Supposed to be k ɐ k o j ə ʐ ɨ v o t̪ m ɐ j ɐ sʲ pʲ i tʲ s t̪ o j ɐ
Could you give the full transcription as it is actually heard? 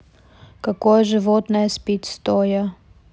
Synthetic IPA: k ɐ k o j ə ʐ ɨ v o t̪ n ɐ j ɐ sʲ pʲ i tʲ s t̪ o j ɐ